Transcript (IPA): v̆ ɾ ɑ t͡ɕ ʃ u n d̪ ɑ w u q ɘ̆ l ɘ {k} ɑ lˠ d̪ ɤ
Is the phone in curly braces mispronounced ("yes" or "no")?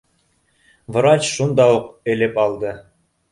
yes